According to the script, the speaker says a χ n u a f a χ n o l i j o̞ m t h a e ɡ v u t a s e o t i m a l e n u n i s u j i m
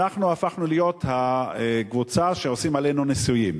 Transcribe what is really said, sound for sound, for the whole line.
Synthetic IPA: a χ n u a f a χ n u l i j o̞ t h a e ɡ v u t͡s a ʃ e o s i m a l e n u n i s u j i m